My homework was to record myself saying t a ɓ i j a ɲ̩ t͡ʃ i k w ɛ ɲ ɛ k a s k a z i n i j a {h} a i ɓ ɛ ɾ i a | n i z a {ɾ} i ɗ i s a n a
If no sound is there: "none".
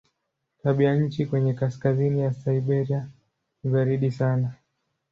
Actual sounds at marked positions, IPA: s, ɾ

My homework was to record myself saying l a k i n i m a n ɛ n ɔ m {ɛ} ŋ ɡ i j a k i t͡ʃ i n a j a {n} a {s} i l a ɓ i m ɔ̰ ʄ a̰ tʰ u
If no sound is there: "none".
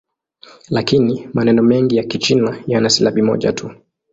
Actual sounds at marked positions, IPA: ɛ, n, s

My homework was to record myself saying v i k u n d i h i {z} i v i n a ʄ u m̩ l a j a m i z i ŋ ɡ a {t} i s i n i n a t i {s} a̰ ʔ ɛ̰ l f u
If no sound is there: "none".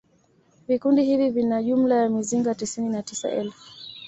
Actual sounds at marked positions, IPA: v, t, s

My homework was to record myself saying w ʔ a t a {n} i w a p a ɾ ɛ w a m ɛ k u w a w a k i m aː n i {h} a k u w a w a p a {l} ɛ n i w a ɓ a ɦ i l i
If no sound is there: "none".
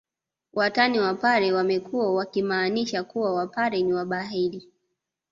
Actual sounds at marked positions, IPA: n, ʃ, ɾ

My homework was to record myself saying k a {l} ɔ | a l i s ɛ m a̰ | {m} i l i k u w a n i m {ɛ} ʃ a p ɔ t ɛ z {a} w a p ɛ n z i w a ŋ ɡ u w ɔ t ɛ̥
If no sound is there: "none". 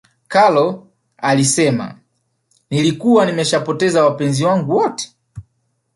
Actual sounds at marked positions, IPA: l, n, ɛ, a

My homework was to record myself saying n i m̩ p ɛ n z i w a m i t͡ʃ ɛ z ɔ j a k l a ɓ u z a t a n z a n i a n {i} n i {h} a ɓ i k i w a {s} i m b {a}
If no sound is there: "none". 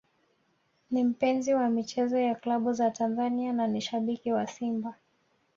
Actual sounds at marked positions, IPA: a, ʃ, s, a

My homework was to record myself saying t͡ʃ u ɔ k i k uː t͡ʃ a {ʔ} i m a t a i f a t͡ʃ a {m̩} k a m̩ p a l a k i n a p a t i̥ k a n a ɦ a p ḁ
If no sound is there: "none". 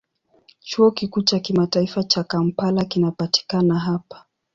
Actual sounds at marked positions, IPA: k, none

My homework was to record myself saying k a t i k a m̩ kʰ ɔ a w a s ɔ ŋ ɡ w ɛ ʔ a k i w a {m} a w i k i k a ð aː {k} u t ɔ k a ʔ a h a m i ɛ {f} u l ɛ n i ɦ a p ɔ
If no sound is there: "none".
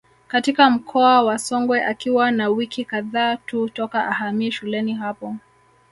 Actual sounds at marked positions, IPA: n, t, ʃ

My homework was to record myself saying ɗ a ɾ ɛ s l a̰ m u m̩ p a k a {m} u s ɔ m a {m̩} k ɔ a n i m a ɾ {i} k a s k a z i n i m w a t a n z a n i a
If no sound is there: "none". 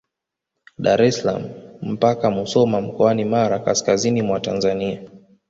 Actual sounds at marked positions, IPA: m, m̩, a

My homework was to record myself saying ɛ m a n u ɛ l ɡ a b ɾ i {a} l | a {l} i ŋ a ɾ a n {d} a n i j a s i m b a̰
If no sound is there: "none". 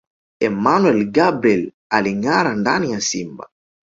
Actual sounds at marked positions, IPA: ɛ, l, d

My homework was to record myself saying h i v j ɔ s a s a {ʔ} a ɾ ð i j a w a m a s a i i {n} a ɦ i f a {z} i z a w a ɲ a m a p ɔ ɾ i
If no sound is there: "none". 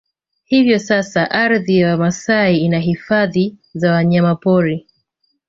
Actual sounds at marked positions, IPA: ʔ, n, ð

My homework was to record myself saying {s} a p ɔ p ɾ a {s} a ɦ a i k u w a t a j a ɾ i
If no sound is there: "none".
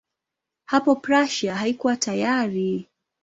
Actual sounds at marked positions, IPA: h, ʃ

